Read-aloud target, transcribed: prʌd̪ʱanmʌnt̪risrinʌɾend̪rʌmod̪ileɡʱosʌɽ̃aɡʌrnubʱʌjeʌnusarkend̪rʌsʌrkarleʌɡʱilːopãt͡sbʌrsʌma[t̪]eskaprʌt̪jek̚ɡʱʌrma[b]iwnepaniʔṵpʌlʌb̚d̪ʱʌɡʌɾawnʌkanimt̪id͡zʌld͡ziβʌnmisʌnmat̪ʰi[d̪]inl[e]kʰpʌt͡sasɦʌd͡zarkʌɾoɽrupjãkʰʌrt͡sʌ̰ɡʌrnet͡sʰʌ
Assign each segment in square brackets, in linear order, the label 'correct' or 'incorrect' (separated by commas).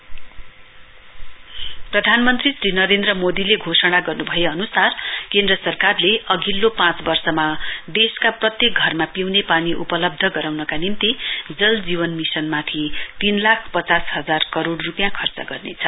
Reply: incorrect, incorrect, incorrect, incorrect